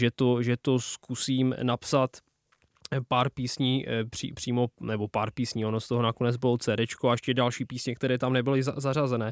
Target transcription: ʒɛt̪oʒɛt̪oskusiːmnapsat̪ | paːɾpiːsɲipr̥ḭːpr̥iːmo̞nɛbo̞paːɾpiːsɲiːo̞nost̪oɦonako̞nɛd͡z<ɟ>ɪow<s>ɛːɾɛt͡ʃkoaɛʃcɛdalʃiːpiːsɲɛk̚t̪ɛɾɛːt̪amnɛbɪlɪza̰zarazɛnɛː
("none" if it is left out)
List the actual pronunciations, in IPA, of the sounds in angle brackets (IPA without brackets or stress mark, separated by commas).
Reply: b, t͡s